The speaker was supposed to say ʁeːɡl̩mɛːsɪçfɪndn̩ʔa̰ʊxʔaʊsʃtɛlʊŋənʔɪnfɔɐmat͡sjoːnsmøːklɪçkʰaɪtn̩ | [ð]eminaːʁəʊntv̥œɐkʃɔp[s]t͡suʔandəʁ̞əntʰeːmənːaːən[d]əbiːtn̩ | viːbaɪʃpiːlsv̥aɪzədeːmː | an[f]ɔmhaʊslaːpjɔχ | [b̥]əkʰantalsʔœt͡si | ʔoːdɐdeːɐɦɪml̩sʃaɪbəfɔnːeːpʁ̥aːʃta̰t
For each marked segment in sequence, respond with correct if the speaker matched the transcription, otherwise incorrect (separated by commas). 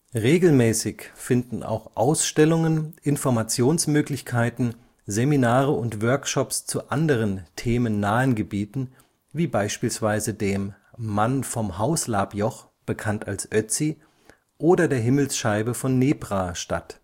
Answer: incorrect, correct, incorrect, correct, correct